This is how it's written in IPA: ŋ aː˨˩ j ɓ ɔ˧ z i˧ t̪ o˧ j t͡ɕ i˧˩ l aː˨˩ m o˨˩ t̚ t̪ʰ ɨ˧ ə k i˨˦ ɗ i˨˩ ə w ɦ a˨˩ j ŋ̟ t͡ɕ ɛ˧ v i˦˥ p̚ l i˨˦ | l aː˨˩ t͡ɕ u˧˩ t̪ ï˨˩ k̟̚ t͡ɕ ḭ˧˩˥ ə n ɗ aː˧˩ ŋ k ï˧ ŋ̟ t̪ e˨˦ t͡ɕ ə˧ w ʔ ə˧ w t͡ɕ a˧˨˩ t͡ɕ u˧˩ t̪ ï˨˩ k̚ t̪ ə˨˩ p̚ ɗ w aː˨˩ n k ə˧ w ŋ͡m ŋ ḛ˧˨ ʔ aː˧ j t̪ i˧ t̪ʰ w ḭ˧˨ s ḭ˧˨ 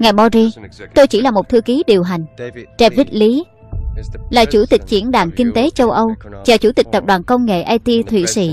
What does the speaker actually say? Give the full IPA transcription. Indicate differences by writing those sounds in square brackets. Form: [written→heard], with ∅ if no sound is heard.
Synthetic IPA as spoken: ŋ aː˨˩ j ɓ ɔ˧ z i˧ t̪ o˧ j t͡ɕ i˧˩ l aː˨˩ m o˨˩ t̚ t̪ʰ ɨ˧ ə k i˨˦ ɗ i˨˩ ə w ɦ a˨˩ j ŋ̟ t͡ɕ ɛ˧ v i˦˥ [p̚→t̚] l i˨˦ | l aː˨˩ t͡ɕ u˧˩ t̪ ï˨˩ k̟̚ t͡ɕ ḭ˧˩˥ ə n ɗ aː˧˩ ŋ k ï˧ ŋ̟ t̪ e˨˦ t͡ɕ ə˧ w ʔ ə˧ w t͡ɕ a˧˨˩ t͡ɕ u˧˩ t̪ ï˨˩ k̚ t̪ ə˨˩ p̚ ɗ w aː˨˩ n k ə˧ w ŋ͡m ŋ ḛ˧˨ ʔ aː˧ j t̪ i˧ t̪ʰ w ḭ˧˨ s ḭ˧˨